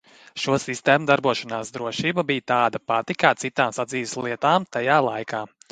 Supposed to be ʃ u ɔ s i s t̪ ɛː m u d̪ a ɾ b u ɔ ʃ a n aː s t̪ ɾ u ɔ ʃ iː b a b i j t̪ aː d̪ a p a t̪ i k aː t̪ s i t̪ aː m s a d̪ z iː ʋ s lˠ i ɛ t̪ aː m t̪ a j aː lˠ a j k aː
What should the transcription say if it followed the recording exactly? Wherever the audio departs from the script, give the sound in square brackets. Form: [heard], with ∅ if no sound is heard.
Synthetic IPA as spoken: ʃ u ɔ s i s t̪ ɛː m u d̪ a ɾ b u ɔ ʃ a n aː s [d̪] ɾ u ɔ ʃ iː b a b i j t̪ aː d̪ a p a t̪ i k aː t̪ s i t̪ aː m s a d̪ z iː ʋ s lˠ i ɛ t̪ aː m t̪ a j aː lˠ a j k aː